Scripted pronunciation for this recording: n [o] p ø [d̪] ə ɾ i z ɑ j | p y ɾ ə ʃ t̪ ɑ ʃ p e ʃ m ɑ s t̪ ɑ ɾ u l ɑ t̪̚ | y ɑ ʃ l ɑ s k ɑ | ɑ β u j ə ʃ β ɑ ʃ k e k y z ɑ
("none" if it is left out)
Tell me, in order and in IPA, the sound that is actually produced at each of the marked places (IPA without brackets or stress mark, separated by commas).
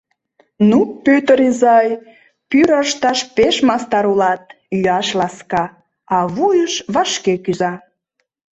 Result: u, t̪